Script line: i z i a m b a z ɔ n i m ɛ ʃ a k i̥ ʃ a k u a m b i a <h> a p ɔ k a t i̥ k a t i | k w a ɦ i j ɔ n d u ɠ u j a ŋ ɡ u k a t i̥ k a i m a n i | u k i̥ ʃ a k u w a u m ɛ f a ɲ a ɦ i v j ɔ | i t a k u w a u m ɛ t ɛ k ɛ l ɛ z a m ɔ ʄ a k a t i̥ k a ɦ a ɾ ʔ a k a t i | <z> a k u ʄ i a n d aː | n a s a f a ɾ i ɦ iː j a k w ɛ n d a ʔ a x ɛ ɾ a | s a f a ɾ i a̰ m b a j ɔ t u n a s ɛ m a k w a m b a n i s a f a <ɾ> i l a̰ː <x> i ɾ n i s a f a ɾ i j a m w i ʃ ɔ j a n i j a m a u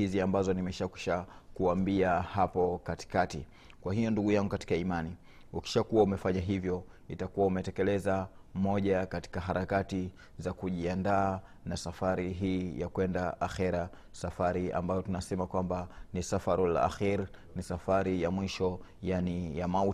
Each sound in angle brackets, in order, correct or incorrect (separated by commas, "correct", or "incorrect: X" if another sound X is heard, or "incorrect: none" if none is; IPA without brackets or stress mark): correct, correct, correct, correct